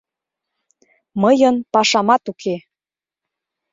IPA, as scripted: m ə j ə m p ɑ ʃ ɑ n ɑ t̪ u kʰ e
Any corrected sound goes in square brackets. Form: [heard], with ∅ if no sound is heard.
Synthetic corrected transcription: m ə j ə [n] p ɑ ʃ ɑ [m] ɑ t̪ u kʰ e